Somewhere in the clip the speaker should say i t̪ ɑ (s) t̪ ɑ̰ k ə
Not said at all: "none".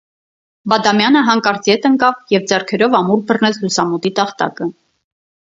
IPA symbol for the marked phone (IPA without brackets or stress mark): χ